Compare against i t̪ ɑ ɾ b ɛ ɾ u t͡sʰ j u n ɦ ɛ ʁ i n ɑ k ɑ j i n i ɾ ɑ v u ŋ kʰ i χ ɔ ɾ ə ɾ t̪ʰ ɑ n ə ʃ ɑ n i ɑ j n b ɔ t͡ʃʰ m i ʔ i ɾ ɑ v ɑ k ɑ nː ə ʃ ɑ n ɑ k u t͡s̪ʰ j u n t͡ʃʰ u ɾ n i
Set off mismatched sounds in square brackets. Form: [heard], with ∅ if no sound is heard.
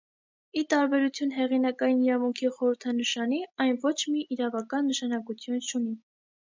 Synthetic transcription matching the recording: i t̪ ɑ ɾ b ɛ ɾ u t͡sʰ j u n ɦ ɛ ʁ i n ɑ k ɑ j i n i ɾ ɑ v u ŋ kʰ i χ ɔ ɾ ə ɾ t̪ʰ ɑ n ə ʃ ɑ n i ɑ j n [v] ɔ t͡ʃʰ m i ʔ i ɾ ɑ v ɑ k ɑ nː ə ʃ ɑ n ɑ k u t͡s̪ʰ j u n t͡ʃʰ u [∅] n i